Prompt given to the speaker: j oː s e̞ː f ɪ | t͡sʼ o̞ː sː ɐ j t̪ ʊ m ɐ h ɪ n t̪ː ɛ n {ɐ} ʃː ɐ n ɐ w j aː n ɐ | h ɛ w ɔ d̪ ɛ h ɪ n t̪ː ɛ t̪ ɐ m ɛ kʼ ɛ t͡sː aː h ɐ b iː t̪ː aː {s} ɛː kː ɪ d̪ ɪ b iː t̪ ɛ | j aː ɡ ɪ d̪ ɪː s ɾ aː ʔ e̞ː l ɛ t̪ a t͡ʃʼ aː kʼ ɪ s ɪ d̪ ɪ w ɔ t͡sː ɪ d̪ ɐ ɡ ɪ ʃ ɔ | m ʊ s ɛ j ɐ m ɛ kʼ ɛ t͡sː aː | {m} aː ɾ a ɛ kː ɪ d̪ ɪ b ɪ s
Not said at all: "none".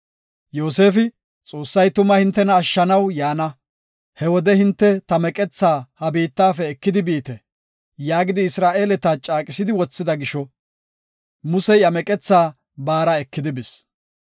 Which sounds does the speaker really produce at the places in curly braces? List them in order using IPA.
ɐː, f, b

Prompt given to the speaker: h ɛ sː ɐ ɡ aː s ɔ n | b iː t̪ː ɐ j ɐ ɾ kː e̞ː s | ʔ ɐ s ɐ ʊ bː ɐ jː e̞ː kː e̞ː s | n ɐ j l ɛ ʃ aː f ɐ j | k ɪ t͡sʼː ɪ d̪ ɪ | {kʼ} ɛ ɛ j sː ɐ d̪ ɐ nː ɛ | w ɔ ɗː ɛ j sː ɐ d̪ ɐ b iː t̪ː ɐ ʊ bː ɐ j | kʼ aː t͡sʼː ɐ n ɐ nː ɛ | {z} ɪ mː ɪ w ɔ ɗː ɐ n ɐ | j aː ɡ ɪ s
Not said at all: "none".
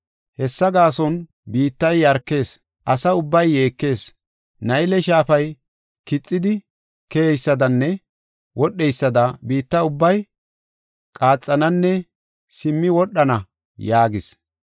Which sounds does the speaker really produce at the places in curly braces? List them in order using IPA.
k, s

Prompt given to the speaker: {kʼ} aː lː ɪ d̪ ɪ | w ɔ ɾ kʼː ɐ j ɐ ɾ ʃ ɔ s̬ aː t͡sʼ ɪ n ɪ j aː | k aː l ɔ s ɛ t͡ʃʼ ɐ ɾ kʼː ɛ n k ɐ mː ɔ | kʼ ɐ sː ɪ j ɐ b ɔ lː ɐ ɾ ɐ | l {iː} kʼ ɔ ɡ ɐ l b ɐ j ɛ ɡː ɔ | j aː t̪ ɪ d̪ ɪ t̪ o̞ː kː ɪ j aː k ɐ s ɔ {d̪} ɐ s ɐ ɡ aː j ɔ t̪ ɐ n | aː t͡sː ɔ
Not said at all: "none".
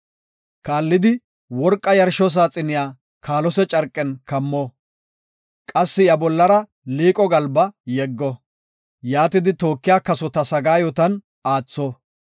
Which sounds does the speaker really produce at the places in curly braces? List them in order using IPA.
k, iː, t̪

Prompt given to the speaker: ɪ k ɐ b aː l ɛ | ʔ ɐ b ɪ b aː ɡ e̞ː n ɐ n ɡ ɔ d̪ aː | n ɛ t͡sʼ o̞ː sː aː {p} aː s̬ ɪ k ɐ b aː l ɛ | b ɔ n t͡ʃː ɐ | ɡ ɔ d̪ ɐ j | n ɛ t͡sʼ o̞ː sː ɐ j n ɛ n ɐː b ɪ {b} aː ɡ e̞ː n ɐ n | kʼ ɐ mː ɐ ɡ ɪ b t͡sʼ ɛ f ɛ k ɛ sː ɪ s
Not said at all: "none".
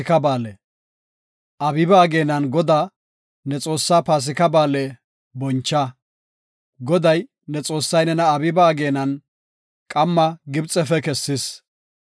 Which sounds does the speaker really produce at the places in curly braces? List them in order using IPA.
p, b

